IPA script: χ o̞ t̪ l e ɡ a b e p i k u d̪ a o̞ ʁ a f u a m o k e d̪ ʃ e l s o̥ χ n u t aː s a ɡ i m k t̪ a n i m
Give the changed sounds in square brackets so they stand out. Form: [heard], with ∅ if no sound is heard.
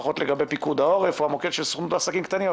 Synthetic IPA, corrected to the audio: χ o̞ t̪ l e ɡ a b e p i k u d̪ a o̞ ʁ [e] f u a m o k e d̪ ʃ e l s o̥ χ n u t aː s a [k] i m k t̪ a n i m